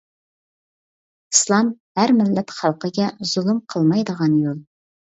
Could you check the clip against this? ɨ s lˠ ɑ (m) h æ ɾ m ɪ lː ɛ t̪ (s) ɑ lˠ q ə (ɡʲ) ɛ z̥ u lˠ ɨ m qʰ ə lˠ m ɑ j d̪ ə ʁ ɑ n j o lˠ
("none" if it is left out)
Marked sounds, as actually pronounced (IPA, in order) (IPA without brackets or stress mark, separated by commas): m, χ, ɡʲ